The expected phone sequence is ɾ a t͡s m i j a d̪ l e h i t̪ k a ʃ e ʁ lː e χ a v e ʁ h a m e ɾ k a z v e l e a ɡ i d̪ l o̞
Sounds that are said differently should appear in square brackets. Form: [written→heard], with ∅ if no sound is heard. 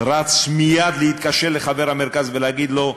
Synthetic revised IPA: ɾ a t͡s m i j a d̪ l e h i t̪ k a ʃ e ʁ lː e χ a v e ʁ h a m e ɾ k a z v e l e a ɡ i d̪ l o̞

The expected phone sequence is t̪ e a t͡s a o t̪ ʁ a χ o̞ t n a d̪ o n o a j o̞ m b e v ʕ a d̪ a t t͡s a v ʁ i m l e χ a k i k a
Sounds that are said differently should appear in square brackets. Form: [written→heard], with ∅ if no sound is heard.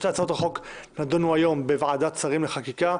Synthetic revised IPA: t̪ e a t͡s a o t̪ ʁ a χ o̞ [t→k] n a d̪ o n [o→u] a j o̞ m b e v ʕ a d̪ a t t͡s a [v→∅] ʁ i m l e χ a k i k a

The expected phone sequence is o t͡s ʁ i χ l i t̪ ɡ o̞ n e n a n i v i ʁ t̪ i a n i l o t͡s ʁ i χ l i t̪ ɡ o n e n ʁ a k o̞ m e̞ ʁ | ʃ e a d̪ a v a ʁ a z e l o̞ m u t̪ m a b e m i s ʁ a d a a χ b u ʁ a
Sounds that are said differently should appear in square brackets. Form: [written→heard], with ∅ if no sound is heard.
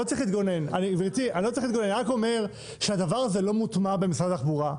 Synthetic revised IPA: o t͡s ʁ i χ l i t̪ ɡ o̞ n e n a n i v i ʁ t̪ i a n i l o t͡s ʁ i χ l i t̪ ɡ o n e n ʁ a k o̞ m e̞ ʁ | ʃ e a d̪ a v a ʁ a z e l o̞ m u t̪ m a b e m i s ʁ a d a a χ b u ʁ a

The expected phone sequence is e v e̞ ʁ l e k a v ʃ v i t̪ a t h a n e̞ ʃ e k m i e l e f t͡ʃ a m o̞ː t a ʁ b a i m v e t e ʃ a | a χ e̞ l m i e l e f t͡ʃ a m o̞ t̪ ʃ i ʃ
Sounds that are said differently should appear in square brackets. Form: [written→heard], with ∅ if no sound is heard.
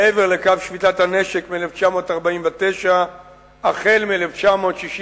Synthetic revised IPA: e v e̞ ʁ l e k a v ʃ v i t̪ a t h a n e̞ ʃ e k m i e l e f t͡ʃ a m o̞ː t a ʁ b a i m v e t e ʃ a | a χ e̞ l m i e l e f t͡ʃ a m o̞ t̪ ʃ i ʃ

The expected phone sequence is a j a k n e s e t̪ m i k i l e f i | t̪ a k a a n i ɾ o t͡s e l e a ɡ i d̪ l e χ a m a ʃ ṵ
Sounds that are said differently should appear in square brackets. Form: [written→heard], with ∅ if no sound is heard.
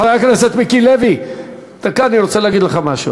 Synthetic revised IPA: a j a k n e s e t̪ m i k i l e [f→v] i | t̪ a k a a n i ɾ o t͡s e l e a ɡ i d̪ l e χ a m a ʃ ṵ

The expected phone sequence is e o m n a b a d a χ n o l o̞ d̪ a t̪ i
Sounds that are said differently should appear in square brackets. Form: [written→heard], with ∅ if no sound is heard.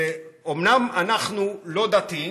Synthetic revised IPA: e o m n a [b→m] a [d→n] a χ n [o→u] l o̞ d̪ a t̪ i

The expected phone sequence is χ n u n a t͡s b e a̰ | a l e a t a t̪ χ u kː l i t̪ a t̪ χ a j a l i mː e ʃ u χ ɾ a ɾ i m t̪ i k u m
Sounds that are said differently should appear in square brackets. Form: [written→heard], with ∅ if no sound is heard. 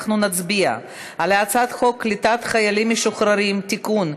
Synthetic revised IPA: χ n u n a t͡s b [e→i] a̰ | a l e a [t→t͡s] a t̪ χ [u→o] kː l i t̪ a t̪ χ a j a l i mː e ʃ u χ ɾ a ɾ i m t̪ i k u [m→n]

